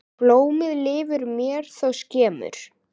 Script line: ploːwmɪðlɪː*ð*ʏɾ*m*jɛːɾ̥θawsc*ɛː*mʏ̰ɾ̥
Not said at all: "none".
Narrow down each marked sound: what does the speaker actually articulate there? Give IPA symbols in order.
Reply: v, m, ɛː

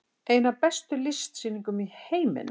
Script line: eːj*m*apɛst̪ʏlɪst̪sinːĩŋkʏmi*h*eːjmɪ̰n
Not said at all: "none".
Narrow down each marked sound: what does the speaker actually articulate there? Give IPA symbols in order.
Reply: n, h

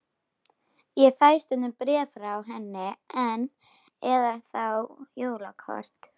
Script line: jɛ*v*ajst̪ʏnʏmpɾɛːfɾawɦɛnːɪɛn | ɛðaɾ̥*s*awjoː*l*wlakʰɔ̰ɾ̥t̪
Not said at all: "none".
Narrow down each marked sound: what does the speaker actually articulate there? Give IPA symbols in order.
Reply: f, θ, none

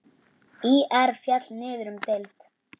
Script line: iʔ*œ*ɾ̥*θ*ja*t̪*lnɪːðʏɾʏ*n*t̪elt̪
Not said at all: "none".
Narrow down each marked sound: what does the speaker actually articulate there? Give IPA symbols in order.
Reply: ɛ, f, t̪, m

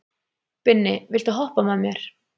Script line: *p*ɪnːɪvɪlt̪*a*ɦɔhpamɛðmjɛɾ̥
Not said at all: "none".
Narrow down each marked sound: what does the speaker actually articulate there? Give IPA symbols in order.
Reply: p, a

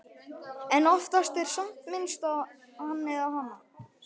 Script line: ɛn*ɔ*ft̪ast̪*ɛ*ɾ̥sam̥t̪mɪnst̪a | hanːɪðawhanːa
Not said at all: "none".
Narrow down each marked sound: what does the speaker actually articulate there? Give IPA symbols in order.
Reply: ɔ, ɛ

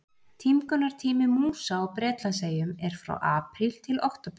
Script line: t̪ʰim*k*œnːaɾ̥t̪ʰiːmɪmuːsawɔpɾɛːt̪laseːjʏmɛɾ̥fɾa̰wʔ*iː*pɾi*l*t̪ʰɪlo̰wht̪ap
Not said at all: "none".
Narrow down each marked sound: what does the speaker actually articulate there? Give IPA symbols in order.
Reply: k, aː, l

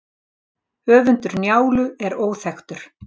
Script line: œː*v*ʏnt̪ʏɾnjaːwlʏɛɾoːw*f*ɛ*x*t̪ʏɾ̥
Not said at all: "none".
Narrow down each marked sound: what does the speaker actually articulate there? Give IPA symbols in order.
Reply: v, θ, x

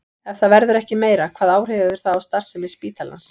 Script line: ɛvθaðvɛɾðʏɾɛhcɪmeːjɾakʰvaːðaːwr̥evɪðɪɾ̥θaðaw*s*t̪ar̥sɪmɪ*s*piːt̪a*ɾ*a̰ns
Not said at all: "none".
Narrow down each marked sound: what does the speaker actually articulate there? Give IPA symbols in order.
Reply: s, s, l

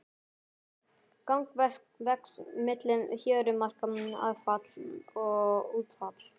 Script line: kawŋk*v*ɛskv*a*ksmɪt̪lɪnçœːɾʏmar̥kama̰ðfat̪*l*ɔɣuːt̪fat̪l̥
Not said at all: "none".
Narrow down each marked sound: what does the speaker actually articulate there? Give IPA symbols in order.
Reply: v, ɛ, l

